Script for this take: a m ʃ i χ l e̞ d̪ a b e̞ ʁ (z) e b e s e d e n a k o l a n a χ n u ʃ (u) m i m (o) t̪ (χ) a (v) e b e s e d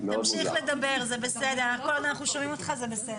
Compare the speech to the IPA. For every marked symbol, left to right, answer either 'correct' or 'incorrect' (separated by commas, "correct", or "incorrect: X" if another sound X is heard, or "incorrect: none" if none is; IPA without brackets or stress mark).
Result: correct, incorrect: o, correct, correct, incorrect: z